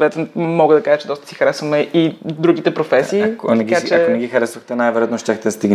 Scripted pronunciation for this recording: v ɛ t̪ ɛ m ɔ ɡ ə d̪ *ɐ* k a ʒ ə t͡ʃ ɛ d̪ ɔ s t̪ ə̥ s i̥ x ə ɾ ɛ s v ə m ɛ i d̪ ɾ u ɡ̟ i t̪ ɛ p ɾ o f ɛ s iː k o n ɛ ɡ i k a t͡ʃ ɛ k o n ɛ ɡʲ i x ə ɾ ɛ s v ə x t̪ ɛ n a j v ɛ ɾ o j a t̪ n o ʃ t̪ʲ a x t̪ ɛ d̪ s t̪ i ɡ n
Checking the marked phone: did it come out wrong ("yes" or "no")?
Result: no